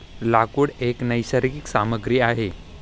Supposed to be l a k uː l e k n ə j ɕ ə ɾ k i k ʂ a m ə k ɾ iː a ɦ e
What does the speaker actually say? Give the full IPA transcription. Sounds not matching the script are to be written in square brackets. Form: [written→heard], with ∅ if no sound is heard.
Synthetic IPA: l a k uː [l→ɽ] e k n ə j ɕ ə ɾ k i k [ʂ→s] a m ə [k→ɡ] ɾ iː a ɦ e